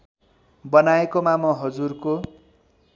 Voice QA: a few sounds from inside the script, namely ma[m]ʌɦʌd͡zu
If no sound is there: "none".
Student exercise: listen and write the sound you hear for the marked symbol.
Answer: m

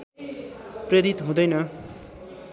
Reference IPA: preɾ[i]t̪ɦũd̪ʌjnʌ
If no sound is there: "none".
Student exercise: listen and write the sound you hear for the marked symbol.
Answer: i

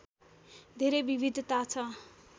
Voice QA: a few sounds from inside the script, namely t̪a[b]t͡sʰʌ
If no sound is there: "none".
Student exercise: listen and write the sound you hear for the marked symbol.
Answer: none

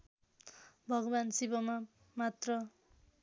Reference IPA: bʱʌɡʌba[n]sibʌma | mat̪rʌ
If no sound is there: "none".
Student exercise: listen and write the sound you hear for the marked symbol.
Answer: n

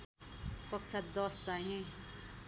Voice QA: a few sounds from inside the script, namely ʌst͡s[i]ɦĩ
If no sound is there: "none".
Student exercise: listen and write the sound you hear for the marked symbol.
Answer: a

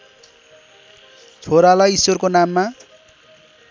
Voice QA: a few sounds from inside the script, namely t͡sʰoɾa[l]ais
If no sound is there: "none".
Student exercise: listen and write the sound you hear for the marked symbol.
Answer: l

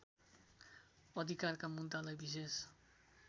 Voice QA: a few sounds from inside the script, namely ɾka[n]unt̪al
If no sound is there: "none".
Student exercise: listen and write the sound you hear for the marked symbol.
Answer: m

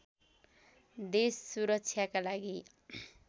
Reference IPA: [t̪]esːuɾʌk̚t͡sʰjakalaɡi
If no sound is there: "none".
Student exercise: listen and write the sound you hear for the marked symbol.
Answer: d̪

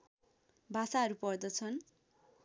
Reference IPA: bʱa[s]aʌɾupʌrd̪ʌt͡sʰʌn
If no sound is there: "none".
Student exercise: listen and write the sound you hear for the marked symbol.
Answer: s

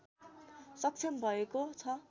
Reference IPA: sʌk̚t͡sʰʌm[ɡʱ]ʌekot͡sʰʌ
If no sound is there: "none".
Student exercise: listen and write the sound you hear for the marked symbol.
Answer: bʱ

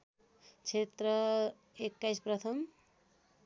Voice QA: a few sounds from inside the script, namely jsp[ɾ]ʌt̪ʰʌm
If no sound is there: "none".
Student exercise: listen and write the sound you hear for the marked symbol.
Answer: ɾ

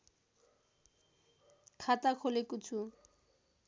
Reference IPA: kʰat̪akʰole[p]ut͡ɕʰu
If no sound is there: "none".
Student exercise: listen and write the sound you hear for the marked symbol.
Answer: k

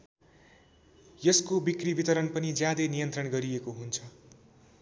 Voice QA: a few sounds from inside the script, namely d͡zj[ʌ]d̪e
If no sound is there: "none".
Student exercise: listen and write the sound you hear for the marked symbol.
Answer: a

